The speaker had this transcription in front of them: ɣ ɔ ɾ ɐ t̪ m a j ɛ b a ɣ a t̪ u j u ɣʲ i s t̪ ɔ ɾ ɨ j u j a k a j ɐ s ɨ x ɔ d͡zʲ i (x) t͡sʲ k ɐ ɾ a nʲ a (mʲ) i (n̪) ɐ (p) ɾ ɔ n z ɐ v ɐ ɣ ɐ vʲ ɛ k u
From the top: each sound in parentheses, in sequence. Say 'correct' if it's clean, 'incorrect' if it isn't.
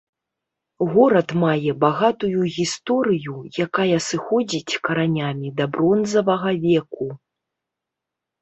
incorrect, correct, incorrect, incorrect

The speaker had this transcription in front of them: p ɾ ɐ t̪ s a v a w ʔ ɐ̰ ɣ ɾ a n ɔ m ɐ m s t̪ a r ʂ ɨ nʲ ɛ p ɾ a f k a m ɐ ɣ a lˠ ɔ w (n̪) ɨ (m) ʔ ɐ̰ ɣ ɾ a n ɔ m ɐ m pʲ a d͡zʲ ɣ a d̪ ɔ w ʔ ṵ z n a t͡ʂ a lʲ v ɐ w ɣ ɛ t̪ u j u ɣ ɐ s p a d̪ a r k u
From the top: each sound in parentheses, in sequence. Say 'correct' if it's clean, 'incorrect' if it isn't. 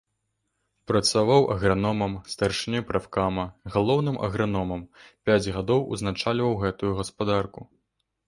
correct, correct

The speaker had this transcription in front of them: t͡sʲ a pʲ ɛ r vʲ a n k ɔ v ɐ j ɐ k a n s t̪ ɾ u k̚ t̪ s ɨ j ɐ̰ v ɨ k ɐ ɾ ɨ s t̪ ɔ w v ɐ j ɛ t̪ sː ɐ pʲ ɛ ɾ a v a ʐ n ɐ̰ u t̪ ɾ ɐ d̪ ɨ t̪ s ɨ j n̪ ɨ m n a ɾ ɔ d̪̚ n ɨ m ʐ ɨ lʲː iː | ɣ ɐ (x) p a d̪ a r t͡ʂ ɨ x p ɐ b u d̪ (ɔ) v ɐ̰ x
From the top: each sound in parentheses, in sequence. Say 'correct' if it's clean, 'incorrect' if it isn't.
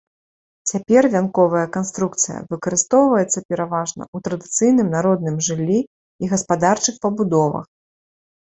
incorrect, correct

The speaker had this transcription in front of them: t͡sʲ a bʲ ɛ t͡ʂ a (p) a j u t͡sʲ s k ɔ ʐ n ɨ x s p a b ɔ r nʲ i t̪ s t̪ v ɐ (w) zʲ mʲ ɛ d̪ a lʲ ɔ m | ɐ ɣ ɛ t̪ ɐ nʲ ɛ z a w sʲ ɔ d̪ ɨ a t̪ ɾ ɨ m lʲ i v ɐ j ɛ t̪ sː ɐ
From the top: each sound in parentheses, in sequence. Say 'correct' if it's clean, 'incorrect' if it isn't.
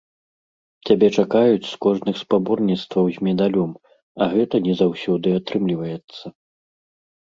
incorrect, correct

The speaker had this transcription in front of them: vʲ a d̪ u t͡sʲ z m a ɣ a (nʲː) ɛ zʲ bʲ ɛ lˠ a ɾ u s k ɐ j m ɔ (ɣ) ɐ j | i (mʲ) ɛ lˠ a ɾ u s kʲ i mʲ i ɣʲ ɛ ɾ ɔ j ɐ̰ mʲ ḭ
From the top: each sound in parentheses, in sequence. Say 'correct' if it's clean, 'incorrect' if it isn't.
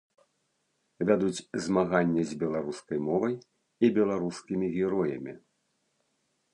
correct, incorrect, incorrect

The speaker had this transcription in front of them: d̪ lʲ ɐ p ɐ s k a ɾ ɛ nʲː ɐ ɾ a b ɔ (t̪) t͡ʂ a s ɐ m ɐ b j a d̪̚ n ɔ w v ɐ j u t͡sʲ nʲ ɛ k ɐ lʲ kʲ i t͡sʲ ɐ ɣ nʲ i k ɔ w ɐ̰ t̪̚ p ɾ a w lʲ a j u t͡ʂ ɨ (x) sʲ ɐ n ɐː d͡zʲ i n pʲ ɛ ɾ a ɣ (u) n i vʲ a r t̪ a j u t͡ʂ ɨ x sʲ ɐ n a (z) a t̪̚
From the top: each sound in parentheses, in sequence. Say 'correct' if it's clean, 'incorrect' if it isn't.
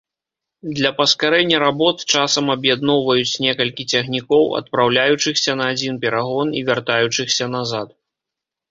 correct, correct, incorrect, correct

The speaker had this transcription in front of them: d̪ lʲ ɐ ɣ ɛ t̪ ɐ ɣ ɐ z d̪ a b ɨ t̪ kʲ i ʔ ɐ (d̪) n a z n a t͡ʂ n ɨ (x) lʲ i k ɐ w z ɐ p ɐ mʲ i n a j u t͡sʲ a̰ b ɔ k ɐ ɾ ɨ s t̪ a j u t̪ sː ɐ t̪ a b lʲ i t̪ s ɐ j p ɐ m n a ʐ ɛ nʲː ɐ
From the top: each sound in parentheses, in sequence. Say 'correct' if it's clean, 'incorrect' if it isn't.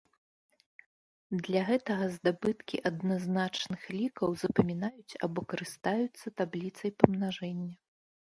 correct, correct

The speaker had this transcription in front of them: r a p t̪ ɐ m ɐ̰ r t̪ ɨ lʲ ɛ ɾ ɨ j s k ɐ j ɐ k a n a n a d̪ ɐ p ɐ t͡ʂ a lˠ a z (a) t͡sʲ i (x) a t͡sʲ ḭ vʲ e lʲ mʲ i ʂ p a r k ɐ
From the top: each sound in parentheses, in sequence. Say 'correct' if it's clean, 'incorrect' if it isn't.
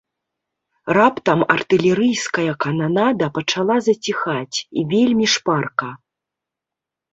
incorrect, correct

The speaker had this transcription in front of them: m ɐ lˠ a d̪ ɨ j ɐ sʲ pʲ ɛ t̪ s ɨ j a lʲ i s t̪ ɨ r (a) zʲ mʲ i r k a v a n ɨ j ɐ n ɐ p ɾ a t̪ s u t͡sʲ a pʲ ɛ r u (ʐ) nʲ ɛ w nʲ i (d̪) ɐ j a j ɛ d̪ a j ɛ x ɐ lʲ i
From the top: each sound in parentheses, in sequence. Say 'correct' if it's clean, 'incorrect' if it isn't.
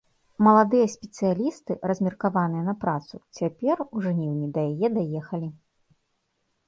incorrect, correct, correct

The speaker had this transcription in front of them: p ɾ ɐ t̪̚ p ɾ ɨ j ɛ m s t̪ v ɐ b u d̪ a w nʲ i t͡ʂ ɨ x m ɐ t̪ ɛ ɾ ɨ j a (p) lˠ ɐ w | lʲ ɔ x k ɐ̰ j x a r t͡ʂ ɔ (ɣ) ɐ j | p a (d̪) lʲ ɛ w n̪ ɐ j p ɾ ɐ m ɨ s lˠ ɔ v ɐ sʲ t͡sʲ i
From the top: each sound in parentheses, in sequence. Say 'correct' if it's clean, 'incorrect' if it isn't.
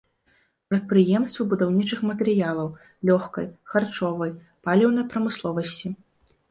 incorrect, incorrect, incorrect

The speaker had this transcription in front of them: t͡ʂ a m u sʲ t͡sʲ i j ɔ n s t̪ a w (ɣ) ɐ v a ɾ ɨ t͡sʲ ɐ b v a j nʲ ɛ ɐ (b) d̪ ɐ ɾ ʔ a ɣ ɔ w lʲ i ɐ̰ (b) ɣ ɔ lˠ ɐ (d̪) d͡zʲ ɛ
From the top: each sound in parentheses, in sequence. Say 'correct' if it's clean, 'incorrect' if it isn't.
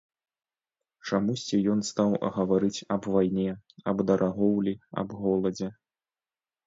correct, correct, correct, incorrect

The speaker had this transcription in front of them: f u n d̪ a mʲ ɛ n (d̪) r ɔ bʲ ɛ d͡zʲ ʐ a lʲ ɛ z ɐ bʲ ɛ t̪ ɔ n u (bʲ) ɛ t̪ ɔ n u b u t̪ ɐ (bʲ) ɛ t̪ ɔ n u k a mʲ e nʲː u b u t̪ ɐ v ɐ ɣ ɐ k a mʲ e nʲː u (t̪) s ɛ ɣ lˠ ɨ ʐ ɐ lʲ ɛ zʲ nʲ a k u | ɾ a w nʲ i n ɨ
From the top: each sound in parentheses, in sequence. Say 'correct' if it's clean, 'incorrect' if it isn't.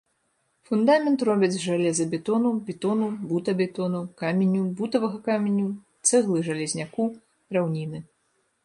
incorrect, correct, correct, correct

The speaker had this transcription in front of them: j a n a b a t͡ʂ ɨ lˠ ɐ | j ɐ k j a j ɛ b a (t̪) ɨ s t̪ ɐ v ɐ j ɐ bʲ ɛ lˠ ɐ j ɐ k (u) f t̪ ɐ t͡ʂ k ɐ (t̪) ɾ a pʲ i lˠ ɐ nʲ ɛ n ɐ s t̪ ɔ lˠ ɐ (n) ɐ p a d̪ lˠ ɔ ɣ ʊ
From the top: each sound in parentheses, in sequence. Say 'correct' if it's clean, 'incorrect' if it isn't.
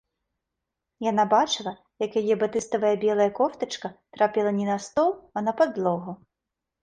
correct, incorrect, correct, correct

